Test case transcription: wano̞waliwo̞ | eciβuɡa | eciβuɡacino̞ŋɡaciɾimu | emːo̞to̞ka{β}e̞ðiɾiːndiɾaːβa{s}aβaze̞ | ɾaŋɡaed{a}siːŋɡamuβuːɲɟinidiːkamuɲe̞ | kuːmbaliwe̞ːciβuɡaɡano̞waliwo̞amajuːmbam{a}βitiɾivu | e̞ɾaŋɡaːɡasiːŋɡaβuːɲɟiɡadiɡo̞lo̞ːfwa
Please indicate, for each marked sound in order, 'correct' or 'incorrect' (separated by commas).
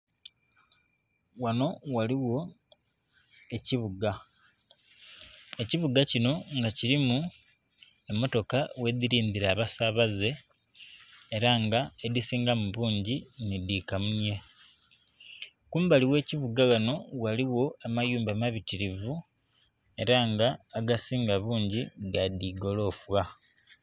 incorrect, correct, incorrect, correct